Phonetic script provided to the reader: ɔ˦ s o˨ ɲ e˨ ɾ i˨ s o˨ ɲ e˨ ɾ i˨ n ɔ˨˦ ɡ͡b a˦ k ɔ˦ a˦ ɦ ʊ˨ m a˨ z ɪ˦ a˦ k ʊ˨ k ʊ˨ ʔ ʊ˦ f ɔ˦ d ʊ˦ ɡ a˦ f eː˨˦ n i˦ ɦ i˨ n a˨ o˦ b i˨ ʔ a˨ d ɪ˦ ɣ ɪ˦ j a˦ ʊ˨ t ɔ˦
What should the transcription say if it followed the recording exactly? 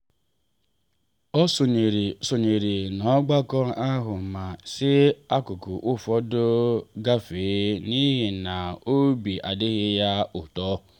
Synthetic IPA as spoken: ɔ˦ s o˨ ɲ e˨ ɾ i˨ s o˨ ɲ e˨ ɾ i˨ n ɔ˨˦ ɡ͡b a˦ k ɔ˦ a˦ ɦ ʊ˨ m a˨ s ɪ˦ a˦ k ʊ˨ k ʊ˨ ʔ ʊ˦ f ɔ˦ d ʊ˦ ɡ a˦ f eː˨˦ n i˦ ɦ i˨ n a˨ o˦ b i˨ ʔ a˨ d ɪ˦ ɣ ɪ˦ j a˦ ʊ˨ t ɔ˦

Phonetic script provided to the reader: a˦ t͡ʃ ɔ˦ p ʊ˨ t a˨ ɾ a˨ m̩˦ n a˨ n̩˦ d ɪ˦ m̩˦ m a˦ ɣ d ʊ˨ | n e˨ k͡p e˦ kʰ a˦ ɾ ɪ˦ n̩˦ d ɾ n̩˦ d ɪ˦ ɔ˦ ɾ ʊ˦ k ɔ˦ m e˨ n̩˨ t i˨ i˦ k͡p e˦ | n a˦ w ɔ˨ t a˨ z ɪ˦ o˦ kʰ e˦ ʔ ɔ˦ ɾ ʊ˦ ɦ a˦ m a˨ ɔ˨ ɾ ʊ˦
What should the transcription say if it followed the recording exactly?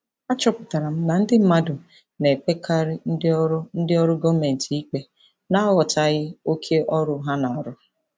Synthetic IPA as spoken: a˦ t͡ʃ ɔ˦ p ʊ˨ t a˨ ɾ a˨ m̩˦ n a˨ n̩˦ d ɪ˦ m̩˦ m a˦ d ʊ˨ | n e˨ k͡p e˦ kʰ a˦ ɾ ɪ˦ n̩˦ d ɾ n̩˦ d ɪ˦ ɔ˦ ɾ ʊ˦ ɡ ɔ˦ m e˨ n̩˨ t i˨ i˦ k͡p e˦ | n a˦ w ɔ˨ t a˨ ɣ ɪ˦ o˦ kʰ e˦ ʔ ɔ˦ ɾ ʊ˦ ɦ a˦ n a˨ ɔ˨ ɾ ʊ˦

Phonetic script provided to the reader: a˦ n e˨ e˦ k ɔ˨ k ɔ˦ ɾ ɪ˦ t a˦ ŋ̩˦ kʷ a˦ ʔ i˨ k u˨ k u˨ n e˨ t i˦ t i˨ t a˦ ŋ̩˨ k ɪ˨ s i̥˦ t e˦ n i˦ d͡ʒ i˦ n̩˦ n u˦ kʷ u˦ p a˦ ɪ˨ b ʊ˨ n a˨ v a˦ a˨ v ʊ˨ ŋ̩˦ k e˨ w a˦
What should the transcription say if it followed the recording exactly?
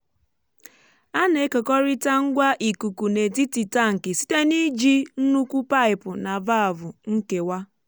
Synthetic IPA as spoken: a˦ n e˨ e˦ k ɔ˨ k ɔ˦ ɾ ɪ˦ t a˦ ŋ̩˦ ɡʷ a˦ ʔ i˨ k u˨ k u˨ n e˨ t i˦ t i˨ t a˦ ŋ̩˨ k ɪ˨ s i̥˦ t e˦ n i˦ d͡ʒ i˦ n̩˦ n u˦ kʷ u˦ p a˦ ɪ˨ p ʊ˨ n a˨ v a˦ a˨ v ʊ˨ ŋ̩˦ k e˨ w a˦

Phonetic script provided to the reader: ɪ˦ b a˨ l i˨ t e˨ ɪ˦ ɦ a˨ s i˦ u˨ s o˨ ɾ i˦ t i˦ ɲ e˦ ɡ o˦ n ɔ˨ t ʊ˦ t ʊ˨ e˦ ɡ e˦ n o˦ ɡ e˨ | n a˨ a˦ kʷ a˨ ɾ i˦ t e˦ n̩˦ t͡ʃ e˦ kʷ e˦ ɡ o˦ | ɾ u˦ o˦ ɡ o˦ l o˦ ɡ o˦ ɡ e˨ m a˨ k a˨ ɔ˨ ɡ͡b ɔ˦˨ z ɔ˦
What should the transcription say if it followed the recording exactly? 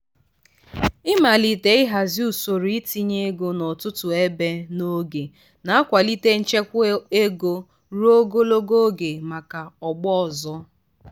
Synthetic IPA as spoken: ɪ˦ m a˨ l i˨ t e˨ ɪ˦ ɦ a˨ z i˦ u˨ s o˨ ɾ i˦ t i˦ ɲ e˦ ɡ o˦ n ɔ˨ t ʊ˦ t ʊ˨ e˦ b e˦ n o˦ ɡ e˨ | n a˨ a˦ kʷ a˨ l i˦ t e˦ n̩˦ t͡ʃ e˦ kʷ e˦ ɡ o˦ | ɾ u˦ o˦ ɡ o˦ l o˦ ɡ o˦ ɡ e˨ m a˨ k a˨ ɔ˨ ɡ͡b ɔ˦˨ z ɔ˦

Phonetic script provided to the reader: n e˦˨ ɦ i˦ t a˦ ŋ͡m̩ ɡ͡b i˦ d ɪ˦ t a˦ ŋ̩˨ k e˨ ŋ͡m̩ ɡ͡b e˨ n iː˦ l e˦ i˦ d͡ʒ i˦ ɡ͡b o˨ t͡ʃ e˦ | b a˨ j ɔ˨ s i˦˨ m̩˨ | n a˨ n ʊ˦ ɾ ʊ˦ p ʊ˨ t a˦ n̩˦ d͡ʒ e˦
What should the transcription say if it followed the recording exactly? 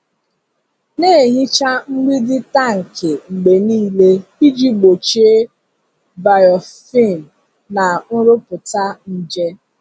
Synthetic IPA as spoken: n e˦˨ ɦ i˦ t͡ʃ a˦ ŋ͡m̩ ɡ͡b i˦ d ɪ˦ t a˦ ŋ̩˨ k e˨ ŋ͡m̩ ɡ͡b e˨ n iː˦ l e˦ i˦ d͡ʒ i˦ ɡ͡b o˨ t͡ʃ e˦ | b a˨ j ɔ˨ f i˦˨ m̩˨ | n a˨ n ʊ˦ ɾ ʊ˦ p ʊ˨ t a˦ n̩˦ d͡ʒ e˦

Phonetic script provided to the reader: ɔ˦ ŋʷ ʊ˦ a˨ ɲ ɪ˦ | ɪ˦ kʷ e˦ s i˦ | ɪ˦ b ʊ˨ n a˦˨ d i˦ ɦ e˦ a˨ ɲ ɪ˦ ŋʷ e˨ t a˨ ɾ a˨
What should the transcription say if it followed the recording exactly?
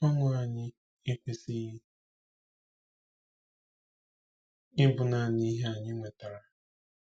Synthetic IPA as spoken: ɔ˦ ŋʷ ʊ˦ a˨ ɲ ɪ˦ | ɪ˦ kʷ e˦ s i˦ | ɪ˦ b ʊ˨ n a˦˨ n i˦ ɦ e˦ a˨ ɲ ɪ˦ ŋʷ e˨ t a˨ ɾ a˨

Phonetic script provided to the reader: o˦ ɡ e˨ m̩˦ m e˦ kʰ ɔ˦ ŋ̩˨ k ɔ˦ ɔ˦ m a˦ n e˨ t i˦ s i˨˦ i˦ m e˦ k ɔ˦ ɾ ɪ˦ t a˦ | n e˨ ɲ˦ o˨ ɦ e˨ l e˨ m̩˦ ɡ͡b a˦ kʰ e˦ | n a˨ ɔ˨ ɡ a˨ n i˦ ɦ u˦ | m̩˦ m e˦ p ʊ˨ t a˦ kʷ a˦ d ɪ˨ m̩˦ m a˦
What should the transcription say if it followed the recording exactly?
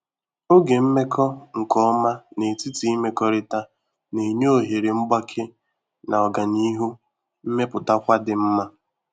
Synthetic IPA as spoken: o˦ ɡ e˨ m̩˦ m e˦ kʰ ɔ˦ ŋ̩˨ k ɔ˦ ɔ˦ m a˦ n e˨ t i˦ t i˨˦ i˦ m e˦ k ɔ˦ ɾ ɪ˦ t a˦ | n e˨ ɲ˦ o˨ ɦ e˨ ɾ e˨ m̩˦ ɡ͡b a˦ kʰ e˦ | n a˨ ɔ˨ ɡ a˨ n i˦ ɦ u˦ | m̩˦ m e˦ p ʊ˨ t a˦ kʷ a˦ d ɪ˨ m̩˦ m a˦

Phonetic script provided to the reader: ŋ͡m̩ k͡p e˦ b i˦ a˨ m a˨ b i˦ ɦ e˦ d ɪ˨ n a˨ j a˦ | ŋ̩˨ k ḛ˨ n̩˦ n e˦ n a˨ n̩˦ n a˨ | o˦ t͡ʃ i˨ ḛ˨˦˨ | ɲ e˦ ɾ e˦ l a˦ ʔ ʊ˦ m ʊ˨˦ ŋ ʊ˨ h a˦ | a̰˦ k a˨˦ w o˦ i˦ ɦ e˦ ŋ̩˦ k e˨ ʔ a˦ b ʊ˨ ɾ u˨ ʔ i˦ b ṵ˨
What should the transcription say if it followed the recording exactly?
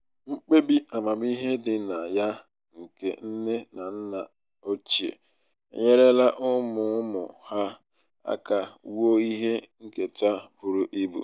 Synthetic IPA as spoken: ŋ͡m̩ k͡p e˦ b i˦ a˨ m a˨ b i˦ ɦ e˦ d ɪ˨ n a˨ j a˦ | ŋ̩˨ k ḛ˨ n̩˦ n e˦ n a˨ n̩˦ n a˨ | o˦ t͡ʃ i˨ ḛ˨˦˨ | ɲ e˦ ɾ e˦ l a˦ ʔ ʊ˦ m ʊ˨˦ m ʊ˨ h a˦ | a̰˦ k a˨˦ w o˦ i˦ ɦ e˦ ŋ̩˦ k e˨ t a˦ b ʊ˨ ɾ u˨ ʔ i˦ b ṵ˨

